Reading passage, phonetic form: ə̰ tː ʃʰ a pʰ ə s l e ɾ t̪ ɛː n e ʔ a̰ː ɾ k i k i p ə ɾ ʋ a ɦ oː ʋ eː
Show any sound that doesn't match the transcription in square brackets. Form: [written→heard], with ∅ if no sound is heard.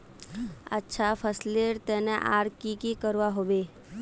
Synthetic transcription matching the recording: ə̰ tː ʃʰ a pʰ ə s l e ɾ t̪ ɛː n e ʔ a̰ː ɾ k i k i [p→k] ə ɾ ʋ a ɦ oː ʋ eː

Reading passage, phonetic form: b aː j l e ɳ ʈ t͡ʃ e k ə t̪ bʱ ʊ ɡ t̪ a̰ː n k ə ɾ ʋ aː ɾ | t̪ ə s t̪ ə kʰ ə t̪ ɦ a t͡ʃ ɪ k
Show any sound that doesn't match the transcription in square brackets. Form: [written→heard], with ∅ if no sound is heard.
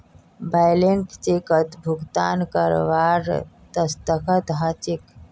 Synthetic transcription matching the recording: b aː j l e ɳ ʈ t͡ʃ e k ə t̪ bʱ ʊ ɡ t̪ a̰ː n k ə ɾ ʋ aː ɾ | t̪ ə s t̪ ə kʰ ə t̪ ɦ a t͡ʃ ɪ k

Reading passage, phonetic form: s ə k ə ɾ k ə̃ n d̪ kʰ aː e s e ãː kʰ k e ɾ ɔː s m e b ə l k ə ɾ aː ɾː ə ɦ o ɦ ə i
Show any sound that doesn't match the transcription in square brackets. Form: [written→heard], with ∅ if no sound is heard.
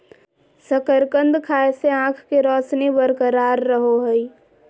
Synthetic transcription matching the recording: s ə k ə ɾ k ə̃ n d̪ kʰ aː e s e ãː kʰ k e ɾ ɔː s [m→n] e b ə [l→ɾ] k ə ɾ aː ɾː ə ɦ o ɦ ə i

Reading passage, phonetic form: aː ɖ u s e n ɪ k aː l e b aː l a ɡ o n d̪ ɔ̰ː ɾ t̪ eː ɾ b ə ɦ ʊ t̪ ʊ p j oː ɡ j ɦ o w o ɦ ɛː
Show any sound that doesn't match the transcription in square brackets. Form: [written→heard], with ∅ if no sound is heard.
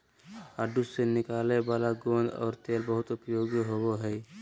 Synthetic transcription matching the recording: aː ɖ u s e n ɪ k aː l e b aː l a ɡ o n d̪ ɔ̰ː ɾ t̪ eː [ɾ→l] b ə ɦ ʊ t̪ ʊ p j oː ɡ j ɦ o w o ɦ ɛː

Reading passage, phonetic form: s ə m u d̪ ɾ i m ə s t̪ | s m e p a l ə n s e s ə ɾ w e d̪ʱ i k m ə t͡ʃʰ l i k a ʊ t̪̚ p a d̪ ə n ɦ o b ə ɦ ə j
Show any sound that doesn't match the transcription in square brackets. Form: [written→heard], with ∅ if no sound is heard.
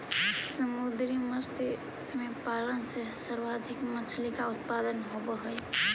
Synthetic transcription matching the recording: s ə m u d̪ ɾ i m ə s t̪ | s m e p a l ə n s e s ə ɾ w [e→a] d̪ʱ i k m ə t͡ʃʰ l i k a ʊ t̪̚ p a d̪ ə n ɦ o b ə ɦ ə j

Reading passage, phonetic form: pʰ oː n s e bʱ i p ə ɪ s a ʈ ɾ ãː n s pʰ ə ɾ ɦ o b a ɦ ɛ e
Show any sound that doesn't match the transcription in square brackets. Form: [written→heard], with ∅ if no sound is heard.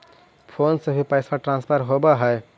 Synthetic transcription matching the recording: pʰ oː n s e bʱ i p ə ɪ s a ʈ ɾ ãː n s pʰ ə ɾ ɦ o b a ɦ ɛ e

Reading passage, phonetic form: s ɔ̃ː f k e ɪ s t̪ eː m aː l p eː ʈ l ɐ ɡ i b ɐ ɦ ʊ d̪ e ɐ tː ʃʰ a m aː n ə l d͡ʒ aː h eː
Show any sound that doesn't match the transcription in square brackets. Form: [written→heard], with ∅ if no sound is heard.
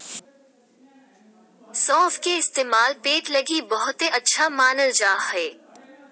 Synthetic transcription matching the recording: s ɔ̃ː f k e ɪ s t̪ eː m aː l p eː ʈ l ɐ ɡ i b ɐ ɦ ʊ [d̪→t̪] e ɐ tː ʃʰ a m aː n ə l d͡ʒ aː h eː

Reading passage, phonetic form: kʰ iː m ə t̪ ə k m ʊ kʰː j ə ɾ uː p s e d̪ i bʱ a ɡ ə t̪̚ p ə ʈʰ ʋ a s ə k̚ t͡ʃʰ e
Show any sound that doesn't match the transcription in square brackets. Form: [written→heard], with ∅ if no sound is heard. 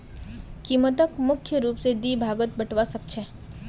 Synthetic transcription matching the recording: [kʰ→k] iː m ə t̪ ə k m ʊ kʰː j ə ɾ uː p s e d̪ i bʱ a ɡ ə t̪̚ [p→b] ə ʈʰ ʋ a s ə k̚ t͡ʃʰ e

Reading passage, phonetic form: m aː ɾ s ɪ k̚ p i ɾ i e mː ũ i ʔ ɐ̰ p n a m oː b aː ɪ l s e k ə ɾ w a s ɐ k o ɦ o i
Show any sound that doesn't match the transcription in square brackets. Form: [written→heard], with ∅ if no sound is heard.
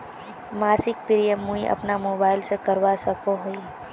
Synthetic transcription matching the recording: m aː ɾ s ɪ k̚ p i ɾ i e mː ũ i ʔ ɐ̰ p n a m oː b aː ɪ l s e k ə ɾ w a s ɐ k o ɦ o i

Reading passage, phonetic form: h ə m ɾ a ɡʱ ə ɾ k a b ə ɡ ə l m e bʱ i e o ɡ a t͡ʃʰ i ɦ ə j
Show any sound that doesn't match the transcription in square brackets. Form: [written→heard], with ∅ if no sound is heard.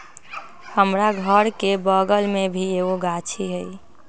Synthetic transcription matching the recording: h ə m ɾ a ɡʱ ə ɾ k [a→e] b ə ɡ ə l m e bʱ i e o ɡ a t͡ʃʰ i ɦ ə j

